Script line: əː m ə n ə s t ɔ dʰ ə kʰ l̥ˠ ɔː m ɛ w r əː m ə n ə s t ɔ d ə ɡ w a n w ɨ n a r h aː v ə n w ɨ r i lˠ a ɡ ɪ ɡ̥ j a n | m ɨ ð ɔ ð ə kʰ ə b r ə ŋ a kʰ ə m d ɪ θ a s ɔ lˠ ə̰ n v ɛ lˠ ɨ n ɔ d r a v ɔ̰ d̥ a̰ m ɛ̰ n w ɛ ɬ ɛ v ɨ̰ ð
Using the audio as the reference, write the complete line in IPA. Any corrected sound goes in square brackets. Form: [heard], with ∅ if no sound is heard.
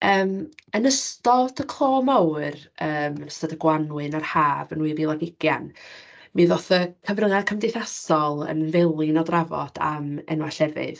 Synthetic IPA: əː m ə n ə s t ɔ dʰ ə kʰ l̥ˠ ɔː m [a] w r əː m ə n ə s t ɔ d ə ɡ w a n w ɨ n a r h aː v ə n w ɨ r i lˠ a ɡ ɪ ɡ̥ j a n | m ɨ ð ɔ [θ] ə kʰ ə [v] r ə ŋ a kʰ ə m d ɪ θ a s ɔ lˠ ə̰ n v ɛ lˠ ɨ n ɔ d r a v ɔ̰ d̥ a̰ m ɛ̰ n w [a] ɬ ɛ v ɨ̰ ð